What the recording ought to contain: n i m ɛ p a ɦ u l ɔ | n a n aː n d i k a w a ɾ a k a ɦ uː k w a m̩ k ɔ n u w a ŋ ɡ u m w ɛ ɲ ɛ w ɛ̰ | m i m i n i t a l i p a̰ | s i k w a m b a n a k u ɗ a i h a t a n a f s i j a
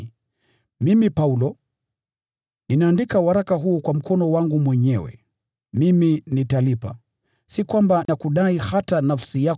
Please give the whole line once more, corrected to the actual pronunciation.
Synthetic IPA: m i m i p a u l ɔ | n i n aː n d i k a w a ɾ a k a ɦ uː k w a m̩ k ɔ n ɔ w a ŋ ɡ u m w ɛ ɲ ɛ w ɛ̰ | m i m i n i t a l i p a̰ | s i k w a m b a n a k u ɗ a i h a t a n a f s i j a